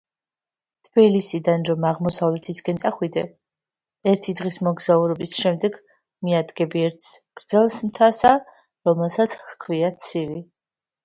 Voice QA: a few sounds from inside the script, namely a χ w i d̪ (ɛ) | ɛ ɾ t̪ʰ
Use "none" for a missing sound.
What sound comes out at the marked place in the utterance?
ɛ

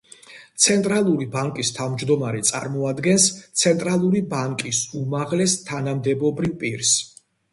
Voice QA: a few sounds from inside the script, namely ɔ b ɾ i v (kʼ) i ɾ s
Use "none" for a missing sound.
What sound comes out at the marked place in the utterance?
pʼ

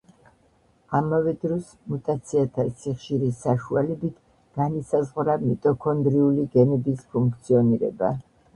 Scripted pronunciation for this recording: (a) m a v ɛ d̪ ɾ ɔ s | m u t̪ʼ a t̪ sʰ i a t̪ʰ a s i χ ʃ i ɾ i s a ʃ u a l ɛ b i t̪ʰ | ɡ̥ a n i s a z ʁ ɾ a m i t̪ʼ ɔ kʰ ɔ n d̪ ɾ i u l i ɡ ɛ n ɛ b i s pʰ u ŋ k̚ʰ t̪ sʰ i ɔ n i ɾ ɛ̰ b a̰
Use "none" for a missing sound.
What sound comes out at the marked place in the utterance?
a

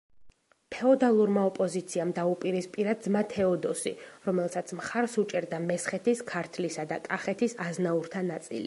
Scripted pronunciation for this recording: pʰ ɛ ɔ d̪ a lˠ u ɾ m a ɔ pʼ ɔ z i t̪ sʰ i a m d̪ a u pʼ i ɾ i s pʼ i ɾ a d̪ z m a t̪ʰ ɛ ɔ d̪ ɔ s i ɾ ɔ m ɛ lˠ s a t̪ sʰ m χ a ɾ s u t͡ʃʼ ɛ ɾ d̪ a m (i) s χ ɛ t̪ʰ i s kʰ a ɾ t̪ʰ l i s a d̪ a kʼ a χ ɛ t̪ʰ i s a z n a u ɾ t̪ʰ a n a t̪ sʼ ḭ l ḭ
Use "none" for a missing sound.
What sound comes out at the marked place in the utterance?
ɛ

